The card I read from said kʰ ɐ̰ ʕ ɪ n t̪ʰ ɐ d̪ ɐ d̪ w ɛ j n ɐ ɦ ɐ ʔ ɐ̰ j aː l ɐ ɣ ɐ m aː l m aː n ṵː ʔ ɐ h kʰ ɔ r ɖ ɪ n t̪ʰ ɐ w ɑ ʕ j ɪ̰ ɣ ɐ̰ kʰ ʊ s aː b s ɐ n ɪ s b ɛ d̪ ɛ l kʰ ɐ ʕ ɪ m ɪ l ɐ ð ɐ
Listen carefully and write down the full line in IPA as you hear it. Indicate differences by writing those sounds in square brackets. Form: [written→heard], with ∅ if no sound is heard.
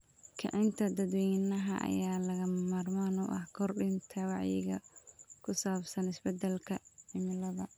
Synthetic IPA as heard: kʰ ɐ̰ ʕ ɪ n t̪ʰ ɐ d̪ ɐ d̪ w ɛ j n ɐ ɦ ɐ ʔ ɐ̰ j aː l ɐ ɣ ɐ m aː [l→r] m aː n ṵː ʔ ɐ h kʰ ɔ r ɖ ɪ n t̪ʰ ɐ w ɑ ʕ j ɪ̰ ɣ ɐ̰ kʰ ʊ s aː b s ɐ n ɪ s b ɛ d̪ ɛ l kʰ ɐ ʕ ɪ m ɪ l ɐ ð ɐ

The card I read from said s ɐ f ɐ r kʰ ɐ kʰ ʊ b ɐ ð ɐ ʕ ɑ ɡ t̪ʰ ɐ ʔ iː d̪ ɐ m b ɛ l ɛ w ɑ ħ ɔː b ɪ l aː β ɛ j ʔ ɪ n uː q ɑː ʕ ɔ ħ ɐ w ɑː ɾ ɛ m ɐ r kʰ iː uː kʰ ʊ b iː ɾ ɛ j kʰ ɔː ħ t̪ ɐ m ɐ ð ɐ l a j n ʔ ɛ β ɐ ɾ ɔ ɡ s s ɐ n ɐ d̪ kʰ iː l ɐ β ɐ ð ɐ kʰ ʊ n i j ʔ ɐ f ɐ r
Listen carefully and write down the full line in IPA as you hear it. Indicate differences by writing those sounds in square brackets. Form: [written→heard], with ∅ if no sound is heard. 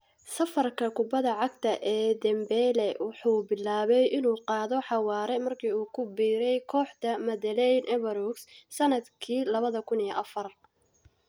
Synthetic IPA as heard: s ɐ f ɐ r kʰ ɐ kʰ ʊ b ɐ ð ɐ ʕ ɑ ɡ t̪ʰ ɐ ʔ [iː→ɛː] d̪ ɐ m b ɛ l ɛ w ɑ ħ [ɔː→uː] b ɪ l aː β ɛ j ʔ ɪ n uː q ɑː [ʕ→ð] ɔ ħ [ɐ→ɑ] w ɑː ɾ ɛ m ɐ r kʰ iː uː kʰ ʊ b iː ɾ ɛ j kʰ ɔː ħ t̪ ɐ m ɐ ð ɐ l [a→ɛ] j n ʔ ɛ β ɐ ɾ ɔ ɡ s s ɐ n ɐ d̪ kʰ iː l ɐ β ɐ ð ɐ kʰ ʊ n i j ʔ ɐ f ɐ r

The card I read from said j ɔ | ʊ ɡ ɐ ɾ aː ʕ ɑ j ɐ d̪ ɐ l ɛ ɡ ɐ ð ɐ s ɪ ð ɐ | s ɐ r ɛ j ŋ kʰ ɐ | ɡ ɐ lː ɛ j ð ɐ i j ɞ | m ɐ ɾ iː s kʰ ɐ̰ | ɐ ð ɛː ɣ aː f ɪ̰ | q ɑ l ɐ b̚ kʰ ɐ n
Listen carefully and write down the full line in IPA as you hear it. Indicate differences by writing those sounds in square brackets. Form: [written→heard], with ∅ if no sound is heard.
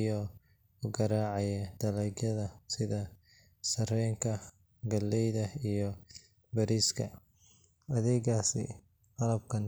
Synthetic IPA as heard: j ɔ | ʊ ɡ ɐ ɾ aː ʕ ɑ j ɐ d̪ ɐ l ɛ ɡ ɐ ð ɐ s ɪ ð ɐ | s ɐ r ɛ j ŋ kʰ ɐ | ɡ ɐ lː ɛ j ð ɐ i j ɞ | [m→b] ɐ ɾ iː s kʰ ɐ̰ | ɐ ð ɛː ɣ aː [f→s] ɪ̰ | q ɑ l ɐ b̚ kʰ ɐ n

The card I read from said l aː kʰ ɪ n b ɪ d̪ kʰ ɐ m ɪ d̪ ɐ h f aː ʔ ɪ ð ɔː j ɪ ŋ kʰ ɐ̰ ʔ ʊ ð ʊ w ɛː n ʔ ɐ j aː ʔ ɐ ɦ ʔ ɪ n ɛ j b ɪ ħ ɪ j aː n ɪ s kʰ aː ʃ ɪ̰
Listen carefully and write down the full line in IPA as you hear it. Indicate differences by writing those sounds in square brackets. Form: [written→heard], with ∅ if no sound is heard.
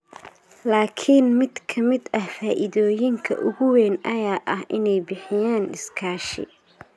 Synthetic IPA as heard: l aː kʰ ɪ n [b→m] ɪ d̪ kʰ ɐ m ɪ d̪ ɐ h f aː ʔ ɪ ð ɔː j ɪ ŋ kʰ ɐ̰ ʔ ʊ [ð→ɣ] ʊ w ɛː n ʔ ɐ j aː ʔ ɐ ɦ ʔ ɪ n ɛ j b ɪ ħ ɪ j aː n ɪ s kʰ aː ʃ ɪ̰

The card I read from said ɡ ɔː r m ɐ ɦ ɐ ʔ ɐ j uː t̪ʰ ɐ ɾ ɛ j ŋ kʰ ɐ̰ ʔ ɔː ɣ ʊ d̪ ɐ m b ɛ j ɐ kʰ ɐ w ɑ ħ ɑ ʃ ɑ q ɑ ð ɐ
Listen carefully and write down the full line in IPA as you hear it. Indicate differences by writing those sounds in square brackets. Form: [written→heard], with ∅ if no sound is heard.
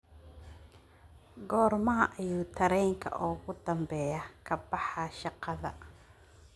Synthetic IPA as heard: ɡ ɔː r m ɐ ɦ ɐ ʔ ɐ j uː t̪ʰ ɐ ɾ ɛ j ŋ kʰ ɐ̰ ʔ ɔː ɣ ʊ d̪ ɐ m b ɛ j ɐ kʰ ɐ [w→b] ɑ ħ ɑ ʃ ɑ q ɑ ð ɐ

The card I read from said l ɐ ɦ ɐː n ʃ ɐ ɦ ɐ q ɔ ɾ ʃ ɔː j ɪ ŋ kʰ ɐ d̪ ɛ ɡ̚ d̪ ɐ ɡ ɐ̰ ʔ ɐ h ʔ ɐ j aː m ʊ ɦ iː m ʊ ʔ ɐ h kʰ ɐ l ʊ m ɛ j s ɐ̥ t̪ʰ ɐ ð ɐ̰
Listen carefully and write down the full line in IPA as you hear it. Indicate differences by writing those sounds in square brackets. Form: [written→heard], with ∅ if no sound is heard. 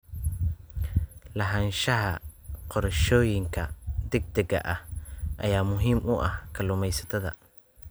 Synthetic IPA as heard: l ɐ ɦ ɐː n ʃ ɐ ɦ ɐ q ɔ ɾ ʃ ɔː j ɪ ŋ kʰ ɐ d̪ ɛ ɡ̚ d̪ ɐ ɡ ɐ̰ ʔ ɐ h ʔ ɐ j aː m ʊ ɦ iː m ʊ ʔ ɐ h kʰ ɐ l ʊ m ɛ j s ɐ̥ t̪ʰ ɐ ð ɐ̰

